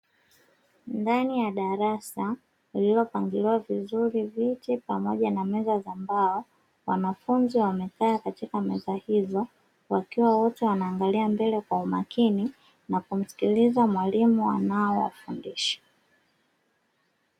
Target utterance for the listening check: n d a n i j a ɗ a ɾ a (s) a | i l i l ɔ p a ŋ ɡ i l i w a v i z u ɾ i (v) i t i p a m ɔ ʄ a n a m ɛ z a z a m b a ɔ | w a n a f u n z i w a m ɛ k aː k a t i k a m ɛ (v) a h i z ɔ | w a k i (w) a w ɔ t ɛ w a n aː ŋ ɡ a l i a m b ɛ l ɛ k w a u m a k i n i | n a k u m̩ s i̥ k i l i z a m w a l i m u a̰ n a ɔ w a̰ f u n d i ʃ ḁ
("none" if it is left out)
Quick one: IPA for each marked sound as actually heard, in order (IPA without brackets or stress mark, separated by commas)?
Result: s, v, z, w